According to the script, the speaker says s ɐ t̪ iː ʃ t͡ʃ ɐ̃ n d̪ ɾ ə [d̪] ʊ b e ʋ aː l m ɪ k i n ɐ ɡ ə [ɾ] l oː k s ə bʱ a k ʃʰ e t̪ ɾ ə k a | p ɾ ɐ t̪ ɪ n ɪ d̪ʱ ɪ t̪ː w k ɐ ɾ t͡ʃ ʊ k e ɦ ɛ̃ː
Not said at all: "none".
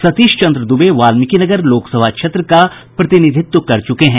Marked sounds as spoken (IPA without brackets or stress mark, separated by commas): d̪, ɾ